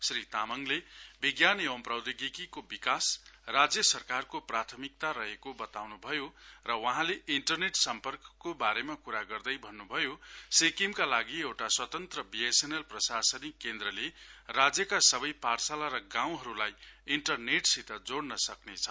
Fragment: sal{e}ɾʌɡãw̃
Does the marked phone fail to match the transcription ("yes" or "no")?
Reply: yes